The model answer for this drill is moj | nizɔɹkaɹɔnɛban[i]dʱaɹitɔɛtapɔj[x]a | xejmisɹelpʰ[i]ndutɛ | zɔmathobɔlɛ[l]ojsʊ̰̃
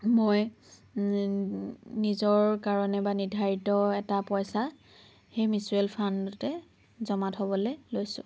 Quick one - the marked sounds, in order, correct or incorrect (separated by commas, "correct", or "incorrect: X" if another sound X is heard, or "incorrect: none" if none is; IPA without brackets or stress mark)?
correct, incorrect: s, incorrect: a, correct